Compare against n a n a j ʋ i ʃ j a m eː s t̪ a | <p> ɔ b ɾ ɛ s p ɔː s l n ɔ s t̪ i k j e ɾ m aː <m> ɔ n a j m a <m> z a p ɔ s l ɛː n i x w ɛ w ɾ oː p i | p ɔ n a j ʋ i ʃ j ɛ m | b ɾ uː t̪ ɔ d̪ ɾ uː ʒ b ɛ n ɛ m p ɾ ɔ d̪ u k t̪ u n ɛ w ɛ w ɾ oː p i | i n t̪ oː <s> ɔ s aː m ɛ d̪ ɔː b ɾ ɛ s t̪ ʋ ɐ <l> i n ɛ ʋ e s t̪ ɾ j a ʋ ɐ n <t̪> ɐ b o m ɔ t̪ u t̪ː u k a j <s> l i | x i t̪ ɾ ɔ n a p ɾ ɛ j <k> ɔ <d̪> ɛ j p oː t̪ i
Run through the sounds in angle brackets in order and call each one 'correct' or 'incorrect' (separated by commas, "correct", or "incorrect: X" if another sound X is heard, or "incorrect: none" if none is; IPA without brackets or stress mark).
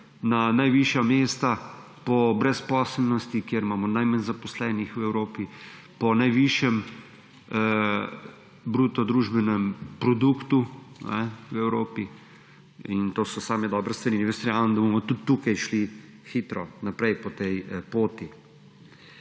correct, correct, incorrect: n, correct, incorrect: ɾ, incorrect: d̪, incorrect: ʃ, incorrect: p, incorrect: t̪